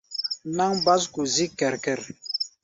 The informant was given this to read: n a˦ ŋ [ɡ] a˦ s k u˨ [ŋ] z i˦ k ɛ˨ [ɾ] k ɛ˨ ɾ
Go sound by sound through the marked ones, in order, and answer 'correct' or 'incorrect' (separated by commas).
incorrect, incorrect, correct